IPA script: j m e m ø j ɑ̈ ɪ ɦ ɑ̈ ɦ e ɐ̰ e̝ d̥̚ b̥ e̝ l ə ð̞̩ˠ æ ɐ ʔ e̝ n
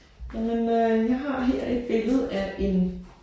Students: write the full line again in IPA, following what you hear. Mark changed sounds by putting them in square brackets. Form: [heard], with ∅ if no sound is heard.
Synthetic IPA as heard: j m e [n] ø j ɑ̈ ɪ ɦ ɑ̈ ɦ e ɐ̰ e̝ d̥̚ b̥ e̝ l ə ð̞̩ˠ æ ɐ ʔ e̝ n